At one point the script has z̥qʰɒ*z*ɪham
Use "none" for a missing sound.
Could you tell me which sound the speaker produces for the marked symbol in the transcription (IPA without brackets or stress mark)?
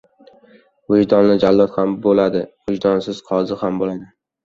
z